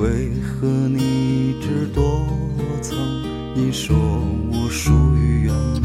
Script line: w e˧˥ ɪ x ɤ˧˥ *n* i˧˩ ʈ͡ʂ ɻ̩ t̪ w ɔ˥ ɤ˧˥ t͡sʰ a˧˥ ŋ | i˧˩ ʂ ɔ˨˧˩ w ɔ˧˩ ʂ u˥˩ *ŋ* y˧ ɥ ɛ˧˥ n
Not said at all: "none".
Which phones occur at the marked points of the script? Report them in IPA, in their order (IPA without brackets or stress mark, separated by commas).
n, none